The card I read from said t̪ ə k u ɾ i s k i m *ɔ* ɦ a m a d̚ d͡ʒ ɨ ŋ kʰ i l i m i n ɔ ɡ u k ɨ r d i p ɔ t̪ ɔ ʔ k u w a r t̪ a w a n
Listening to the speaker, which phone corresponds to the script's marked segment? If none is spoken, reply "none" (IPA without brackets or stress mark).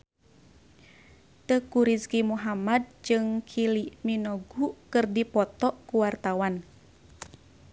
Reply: u